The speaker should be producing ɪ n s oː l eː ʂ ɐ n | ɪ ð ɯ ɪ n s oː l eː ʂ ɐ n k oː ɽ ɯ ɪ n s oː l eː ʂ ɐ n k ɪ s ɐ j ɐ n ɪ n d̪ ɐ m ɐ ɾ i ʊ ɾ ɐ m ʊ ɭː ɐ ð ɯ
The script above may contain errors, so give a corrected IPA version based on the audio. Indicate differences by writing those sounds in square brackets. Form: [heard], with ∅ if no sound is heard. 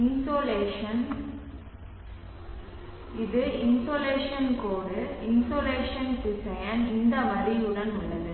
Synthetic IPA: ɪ n s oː l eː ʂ ɐ n | ɪ ð ɯ ɪ n s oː l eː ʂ ɐ n k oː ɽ ɯ ɪ n s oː l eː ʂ ɐ n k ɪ s ɐ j ɐ n ɪ n d̪ ɐ m ɐ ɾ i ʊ [ɽ] ɐ [n] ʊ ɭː ɐ ð ɯ